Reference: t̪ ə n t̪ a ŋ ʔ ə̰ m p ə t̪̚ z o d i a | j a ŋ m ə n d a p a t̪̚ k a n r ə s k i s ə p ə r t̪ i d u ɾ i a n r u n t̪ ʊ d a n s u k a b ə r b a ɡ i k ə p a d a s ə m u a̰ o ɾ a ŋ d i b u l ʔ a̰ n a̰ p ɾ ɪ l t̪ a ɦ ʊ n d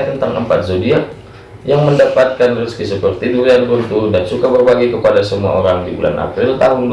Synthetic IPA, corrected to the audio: t̪ ə n t̪ a ŋ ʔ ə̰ m p a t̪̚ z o d i a | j a ŋ m ə n d a p a t̪̚ k a n r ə s k i s ə p ə r t̪ i d u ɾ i a n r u n t̪ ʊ d a n s u k a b ə r b a ɡ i k ə p a d a s ə m u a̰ o ɾ a ŋ d i b u l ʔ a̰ n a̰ p ɾ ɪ l t̪ a ɦ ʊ n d